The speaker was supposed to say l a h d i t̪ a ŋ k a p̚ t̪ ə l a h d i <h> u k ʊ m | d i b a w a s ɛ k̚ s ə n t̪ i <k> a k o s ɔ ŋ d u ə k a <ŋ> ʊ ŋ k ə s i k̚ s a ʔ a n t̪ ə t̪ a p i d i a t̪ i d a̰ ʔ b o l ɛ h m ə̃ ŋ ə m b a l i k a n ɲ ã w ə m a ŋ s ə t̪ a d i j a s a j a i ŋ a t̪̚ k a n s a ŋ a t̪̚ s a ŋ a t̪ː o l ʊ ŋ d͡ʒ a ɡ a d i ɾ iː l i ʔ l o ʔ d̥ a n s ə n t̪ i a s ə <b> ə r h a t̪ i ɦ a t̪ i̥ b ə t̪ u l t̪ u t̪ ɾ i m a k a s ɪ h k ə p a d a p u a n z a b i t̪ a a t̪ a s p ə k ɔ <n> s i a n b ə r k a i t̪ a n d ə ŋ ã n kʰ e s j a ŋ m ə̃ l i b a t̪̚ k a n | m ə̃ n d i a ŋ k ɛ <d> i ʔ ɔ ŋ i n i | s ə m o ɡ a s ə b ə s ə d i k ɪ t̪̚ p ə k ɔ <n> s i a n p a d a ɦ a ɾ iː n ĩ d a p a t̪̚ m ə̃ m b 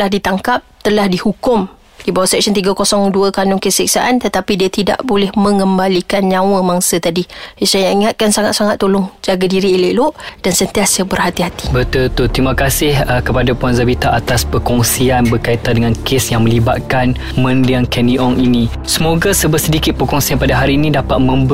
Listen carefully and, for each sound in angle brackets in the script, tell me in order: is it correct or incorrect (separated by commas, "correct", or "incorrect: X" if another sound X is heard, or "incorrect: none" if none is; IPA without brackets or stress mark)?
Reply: correct, incorrect: ɡ, incorrect: n, correct, incorrect: ŋ, incorrect: n, incorrect: ŋ